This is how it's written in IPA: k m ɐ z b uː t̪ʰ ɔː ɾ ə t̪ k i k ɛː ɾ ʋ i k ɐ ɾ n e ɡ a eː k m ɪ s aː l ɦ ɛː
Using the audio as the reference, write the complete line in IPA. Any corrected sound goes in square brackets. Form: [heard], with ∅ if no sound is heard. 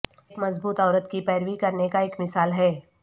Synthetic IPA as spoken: k m ɐ z b uː [t̪] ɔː ɾ ə t̪ k i [p] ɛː ɾ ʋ i k ɐ ɾ n e [k] a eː k m ɪ s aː l ɦ ɛː